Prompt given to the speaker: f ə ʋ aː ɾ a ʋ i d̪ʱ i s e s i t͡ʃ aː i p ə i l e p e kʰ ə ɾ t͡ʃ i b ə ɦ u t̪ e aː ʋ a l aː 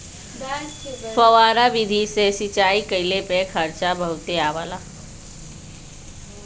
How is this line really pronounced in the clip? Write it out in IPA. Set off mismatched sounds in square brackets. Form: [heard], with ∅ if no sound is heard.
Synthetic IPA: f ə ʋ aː ɾ a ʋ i d̪ʱ i s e s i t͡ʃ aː i [k] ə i l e p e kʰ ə ɾ t͡ʃ [a] b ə ɦ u t̪ e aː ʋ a l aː